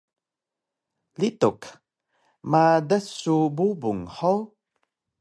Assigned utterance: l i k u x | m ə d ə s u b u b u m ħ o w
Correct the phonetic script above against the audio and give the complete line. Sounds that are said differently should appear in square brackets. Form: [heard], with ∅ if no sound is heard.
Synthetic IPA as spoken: l i [t] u [k] | m [a] d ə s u b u b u [ŋ] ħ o w